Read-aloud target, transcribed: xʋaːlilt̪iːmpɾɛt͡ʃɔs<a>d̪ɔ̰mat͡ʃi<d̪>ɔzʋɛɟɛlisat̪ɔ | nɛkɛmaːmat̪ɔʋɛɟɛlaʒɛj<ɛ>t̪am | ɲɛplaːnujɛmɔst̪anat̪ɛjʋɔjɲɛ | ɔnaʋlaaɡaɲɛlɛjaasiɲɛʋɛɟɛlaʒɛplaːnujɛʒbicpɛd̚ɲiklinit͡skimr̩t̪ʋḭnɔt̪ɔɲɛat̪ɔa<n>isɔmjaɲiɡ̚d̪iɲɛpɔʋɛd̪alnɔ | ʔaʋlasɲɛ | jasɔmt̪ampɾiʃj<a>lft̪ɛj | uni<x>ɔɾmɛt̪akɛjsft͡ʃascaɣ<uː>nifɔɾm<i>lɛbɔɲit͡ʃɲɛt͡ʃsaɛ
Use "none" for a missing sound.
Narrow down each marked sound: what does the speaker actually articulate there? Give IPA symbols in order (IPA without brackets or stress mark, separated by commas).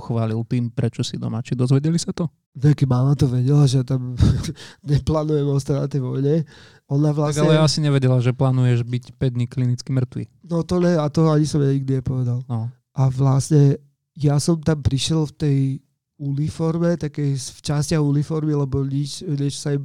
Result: i, d̪, a, ɲ, ɛ, f, u, i